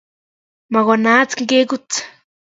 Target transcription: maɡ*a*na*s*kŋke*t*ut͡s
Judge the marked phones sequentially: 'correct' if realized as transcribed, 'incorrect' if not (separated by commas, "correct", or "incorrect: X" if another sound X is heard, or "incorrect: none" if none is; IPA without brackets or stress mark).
correct, incorrect: t͡s, incorrect: k